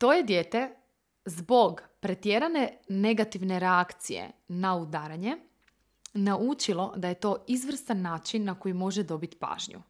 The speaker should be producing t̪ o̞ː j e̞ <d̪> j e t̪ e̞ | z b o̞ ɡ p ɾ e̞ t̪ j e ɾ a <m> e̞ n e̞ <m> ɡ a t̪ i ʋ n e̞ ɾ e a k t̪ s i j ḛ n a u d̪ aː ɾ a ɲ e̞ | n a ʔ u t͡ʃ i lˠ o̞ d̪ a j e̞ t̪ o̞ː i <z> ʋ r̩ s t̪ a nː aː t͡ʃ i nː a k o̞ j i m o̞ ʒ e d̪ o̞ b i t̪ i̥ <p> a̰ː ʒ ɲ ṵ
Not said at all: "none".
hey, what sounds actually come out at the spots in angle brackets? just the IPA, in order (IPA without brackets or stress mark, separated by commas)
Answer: d̪, n, none, z, p